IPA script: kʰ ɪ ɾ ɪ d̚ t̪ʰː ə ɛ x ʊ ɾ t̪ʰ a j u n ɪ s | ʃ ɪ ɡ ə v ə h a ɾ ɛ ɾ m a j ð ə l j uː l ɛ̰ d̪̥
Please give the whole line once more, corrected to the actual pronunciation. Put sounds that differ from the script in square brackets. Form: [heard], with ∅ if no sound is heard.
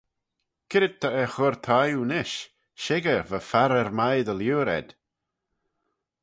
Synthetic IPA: kʰ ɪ ɾ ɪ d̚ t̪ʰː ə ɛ x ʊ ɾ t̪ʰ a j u n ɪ [ʃ] | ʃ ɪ ɡ ə v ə [f] a ɾ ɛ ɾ m a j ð ə l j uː [ɾ] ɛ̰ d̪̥